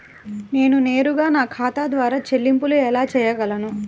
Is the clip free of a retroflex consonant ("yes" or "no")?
yes